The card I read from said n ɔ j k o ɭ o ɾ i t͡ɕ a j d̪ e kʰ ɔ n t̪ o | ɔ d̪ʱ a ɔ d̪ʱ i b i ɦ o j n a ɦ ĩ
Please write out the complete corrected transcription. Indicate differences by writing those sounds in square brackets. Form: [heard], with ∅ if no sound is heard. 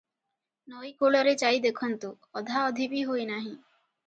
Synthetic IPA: n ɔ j k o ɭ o ɾ [e] t͡ɕ a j d̪ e kʰ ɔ n t̪ o | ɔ d̪ʱ a ɔ d̪ʱ i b i ɦ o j n a ɦ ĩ